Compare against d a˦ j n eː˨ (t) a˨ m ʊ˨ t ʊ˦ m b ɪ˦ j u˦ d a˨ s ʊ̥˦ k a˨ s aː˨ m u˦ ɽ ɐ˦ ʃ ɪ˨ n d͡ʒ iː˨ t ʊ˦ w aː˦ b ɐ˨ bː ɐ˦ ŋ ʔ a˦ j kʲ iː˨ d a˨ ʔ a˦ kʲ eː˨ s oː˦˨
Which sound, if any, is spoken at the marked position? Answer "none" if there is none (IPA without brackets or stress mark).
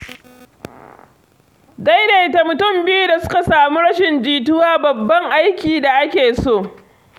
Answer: t